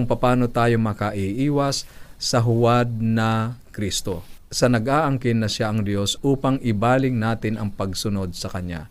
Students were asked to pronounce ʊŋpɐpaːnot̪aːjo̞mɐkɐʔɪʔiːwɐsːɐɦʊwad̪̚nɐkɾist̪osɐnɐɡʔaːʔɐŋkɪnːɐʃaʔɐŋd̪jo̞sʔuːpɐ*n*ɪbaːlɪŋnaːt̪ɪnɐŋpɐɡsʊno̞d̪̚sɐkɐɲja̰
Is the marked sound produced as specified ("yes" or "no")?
no